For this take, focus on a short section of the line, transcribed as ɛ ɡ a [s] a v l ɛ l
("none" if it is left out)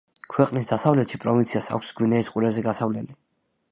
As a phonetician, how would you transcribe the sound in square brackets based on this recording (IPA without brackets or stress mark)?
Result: s